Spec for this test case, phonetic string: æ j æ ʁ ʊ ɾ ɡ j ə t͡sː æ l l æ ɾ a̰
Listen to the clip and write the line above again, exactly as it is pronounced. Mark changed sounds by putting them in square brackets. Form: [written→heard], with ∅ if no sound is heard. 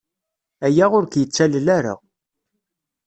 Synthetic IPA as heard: æ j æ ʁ ʊ ɾ [ɡ→k] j ə t͡sː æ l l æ ɾ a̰